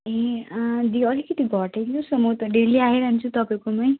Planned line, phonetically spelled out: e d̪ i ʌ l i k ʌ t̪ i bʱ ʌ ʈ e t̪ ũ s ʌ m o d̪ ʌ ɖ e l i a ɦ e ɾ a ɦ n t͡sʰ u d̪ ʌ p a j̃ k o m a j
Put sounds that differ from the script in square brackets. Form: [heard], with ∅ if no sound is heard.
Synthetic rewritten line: e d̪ i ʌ l i k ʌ t̪ i [ɡʱ] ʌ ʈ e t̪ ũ s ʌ m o [t̪] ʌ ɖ e l i a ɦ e ɾ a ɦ n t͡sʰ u [t̪] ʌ p a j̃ k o m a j